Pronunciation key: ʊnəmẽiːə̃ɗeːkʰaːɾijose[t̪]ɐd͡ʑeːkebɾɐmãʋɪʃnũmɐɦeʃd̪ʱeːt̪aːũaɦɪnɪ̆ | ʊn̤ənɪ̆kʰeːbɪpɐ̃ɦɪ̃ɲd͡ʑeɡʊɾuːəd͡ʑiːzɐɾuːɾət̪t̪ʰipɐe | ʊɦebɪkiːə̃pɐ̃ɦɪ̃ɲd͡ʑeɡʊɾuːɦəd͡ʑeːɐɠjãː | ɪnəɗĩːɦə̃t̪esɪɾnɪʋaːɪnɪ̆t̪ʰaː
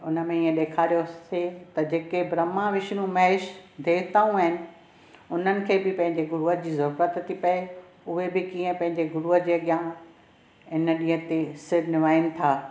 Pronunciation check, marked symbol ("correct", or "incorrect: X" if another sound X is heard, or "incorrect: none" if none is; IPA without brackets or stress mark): correct